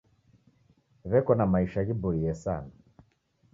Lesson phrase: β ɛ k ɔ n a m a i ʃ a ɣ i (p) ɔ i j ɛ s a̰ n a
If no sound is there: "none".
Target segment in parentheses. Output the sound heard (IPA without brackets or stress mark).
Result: b